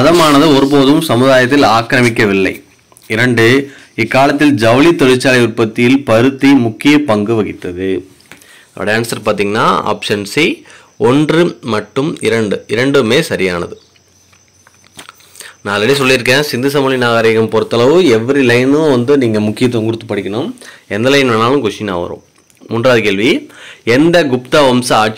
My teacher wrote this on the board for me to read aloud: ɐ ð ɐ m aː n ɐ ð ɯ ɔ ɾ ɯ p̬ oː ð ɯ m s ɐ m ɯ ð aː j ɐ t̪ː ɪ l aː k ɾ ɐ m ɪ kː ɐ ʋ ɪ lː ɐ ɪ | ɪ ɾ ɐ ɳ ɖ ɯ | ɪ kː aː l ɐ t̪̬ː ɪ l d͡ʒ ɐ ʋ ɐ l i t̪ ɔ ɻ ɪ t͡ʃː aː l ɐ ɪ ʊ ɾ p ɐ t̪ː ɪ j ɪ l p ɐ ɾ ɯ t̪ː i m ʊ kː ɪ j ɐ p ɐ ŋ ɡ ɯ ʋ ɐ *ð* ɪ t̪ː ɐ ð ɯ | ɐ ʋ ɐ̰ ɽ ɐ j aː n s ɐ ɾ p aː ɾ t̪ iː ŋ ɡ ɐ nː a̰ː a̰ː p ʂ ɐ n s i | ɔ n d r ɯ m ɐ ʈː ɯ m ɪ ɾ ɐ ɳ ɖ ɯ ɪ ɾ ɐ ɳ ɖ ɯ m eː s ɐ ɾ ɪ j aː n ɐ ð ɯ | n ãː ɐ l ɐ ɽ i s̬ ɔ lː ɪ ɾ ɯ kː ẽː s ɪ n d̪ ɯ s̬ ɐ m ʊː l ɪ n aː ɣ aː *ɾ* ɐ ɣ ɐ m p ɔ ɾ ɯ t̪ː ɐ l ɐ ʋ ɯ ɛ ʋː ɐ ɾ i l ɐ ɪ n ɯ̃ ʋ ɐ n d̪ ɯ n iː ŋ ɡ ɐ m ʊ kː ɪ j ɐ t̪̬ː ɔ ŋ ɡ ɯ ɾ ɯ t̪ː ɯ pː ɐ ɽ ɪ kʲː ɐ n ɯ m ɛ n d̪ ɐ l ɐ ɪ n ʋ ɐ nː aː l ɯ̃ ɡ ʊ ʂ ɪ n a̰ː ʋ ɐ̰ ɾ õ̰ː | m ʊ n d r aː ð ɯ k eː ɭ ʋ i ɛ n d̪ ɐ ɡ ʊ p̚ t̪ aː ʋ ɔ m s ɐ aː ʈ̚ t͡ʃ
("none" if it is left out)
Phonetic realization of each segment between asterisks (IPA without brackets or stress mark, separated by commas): ɣ, ɾ